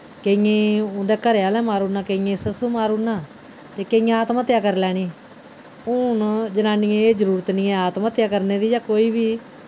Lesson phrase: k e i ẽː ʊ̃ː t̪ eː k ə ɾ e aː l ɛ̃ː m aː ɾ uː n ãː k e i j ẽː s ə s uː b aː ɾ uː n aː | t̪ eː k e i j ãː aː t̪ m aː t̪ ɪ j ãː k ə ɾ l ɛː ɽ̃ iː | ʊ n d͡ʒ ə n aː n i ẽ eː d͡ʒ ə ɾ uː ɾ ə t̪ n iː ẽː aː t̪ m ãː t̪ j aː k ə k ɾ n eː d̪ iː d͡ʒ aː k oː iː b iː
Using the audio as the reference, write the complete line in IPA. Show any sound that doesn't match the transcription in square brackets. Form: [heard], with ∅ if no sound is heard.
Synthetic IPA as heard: k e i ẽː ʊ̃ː [d̪] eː k ə ɾ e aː l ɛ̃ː m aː ɾ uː n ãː k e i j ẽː s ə s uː [m] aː ɾ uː n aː | t̪ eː k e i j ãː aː t̪ m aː t̪ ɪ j [aː] k ə ɾ l ɛː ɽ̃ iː | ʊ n d͡ʒ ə n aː n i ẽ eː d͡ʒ ə ɾ uː ɾ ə t̪ n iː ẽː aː t̪ m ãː t̪ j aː k ə [∅] ɾ n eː d̪ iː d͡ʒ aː k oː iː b iː

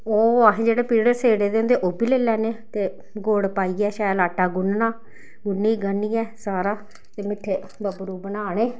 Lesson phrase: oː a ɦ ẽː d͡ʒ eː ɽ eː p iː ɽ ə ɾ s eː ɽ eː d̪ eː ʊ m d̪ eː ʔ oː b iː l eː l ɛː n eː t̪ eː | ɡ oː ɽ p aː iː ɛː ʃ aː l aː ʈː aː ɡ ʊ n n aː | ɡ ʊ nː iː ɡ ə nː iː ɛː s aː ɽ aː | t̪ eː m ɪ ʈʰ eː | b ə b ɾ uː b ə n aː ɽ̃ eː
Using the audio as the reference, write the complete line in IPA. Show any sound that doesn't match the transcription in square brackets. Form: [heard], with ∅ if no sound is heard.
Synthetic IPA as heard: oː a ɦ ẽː d͡ʒ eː ɽ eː p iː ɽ ə ɾ s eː ɽ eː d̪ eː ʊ [n] d̪ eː ʔ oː b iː l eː l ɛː n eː t̪ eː | ɡ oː ɽ p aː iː ɛː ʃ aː l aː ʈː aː ɡ ʊ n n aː | ɡ ʊ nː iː ɡ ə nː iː ɛː s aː [ɾ] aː | t̪ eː m ɪ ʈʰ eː | b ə b ɾ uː b ə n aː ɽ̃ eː

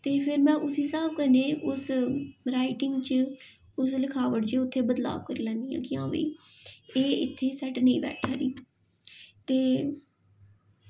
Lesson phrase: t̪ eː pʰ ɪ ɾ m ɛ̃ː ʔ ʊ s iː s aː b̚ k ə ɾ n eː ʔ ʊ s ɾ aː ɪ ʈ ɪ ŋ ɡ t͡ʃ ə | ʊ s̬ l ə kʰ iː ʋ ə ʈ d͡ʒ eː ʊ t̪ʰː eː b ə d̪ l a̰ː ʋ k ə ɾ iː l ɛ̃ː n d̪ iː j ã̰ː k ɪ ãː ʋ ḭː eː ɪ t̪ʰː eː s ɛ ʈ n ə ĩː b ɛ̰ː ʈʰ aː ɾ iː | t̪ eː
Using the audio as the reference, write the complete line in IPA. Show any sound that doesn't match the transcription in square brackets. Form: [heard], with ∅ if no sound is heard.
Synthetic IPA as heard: t̪ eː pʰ ɪ ɾ m ɛ̃ː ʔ ʊ s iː s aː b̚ k ə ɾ n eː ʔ ʊ s ɾ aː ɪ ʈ ɪ ŋ ɡ t͡ʃ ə | ʊ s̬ l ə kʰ [aː] ʋ ə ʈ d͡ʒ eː ʊ t̪ʰː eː b ə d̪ l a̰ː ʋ k ə ɾ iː l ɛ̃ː n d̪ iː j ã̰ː k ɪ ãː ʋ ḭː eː ɪ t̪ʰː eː s ɛ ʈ n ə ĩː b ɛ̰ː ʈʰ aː ɾ iː | t̪ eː

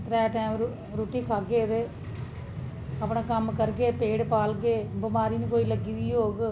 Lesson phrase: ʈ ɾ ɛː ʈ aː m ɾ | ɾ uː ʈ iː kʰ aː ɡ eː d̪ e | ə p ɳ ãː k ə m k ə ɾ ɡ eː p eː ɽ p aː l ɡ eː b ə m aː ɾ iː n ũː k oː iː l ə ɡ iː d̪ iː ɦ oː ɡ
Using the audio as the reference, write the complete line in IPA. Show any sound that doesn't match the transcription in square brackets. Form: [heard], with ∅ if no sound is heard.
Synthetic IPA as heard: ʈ ɾ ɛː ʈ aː m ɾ | ɾ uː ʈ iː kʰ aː ɡ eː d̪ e | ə p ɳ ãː k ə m k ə ɾ ɡ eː p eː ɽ p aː l ɡ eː b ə m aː ɾ iː n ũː k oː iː l ə ɡ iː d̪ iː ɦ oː ɡ

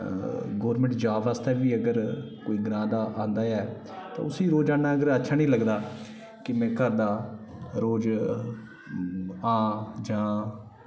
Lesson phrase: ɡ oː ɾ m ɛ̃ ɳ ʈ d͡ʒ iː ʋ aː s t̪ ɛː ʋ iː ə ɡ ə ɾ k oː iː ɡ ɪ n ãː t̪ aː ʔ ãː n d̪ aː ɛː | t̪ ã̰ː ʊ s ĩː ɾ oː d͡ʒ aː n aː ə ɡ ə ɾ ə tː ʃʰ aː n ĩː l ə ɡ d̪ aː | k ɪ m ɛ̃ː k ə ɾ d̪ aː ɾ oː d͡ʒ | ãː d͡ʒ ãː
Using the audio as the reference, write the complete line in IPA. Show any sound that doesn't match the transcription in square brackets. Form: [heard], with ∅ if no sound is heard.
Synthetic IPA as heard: ɡ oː ɾ m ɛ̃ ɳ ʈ d͡ʒ [aː] ʋ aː s t̪ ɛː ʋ iː ə ɡ ə ɾ k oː iː ɡ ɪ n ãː [d̪] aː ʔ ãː n d̪ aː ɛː | t̪ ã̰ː ʊ s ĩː ɾ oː d͡ʒ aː n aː ə ɡ ə ɾ ə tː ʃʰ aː n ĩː l ə ɡ d̪ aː | k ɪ m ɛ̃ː k ə ɾ d̪ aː ɾ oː d͡ʒ | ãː d͡ʒ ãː

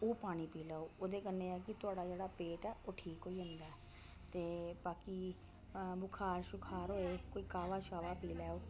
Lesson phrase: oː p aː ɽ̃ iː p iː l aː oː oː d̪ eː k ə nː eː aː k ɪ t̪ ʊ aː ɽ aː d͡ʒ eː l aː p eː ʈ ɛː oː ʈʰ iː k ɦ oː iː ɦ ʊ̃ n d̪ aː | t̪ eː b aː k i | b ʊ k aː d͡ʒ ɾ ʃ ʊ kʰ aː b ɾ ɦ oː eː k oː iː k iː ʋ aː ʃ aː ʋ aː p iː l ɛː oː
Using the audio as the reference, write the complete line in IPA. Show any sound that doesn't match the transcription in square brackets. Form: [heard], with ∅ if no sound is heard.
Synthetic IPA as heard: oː p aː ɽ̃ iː p iː l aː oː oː d̪ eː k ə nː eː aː k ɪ t̪ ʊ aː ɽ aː d͡ʒ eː [ɽ] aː p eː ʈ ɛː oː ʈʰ iː k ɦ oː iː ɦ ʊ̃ n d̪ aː | t̪ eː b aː k i | b ʊ [kʰ] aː [∅] ɾ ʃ ʊ kʰ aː [∅] ɾ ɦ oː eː k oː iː k [aː] ʋ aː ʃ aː ʋ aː p iː l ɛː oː

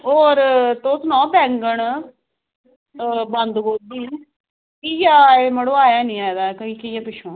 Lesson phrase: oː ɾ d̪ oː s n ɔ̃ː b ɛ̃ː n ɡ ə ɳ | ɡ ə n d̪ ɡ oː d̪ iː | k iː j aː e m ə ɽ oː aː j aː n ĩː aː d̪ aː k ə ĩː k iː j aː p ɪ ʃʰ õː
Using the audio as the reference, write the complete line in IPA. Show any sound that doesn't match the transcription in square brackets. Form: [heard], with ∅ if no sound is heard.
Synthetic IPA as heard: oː ɾ [t̪] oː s n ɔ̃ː b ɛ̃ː [ŋ] ɡ ə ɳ | [b] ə n d̪ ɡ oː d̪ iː | k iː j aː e m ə ɽ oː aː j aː n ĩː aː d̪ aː k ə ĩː k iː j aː p ɪ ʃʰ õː

